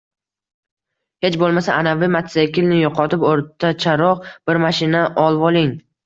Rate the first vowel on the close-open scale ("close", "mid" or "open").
mid